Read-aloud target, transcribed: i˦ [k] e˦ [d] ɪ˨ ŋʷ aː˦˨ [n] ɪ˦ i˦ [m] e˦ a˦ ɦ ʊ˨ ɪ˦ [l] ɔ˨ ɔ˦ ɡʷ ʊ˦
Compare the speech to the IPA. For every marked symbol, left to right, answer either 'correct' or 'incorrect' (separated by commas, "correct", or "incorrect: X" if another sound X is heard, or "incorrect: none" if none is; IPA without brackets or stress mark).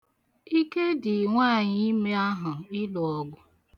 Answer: correct, correct, incorrect: ɲ, correct, correct